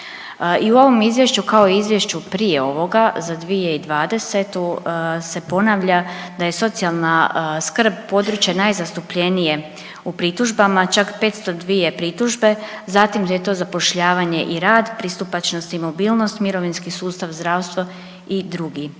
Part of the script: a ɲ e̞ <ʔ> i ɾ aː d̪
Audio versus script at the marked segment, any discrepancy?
no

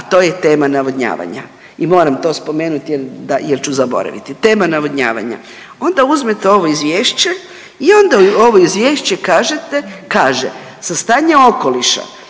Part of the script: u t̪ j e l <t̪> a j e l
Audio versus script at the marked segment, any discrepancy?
yes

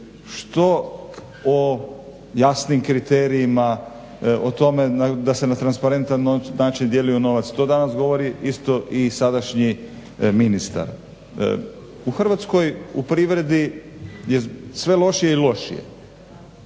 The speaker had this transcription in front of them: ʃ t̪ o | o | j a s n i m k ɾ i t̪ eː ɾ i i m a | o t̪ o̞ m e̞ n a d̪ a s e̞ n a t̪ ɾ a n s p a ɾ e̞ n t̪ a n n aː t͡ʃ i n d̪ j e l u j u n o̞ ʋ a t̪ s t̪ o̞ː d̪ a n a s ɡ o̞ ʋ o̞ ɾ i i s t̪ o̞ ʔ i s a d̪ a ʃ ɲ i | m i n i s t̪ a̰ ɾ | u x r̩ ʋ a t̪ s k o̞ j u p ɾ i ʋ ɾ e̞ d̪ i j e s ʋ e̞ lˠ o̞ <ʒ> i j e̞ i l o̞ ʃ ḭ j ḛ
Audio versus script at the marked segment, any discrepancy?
yes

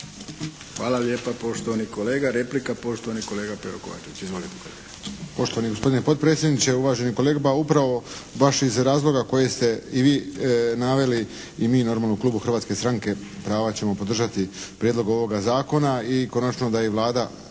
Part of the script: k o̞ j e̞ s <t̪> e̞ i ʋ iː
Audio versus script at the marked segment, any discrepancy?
no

